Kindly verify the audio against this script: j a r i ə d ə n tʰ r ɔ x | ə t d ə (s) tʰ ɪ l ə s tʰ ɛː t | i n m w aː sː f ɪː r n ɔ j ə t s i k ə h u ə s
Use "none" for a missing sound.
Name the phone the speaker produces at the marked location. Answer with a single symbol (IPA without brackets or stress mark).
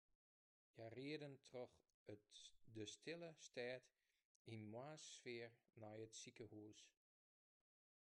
s